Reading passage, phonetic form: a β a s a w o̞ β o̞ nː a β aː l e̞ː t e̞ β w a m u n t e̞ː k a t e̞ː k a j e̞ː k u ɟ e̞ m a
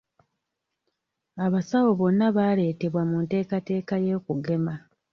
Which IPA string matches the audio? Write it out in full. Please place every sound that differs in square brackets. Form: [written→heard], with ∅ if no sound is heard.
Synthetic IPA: a β a s a w o̞ β o̞ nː a β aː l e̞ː t e̞ β w a m u n t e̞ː k a t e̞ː k a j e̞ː k u [ɟ→ɡ] e̞ m a